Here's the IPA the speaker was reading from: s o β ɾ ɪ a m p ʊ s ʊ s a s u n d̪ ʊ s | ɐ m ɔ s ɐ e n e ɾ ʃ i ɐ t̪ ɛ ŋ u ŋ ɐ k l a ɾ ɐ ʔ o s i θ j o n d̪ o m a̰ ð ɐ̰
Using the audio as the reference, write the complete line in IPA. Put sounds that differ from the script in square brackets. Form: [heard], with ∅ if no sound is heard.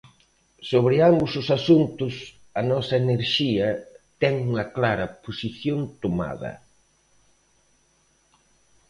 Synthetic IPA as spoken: s o β ɾ ɪ a m [b] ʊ s ʊ s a s u n [t̪] ʊ s | ɐ [n] ɔ s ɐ e n e ɾ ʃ i ɐ t̪ ɛ ŋ u ŋ ɐ k l a ɾ ɐ [p] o s i θ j o n [t̪] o m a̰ ð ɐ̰